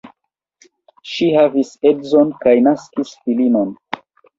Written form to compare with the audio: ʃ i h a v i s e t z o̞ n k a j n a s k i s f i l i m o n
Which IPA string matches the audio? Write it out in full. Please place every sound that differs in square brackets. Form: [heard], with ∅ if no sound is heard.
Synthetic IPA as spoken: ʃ i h a v i s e [d] z o̞ n k a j n a s k i s f i l i [n] o n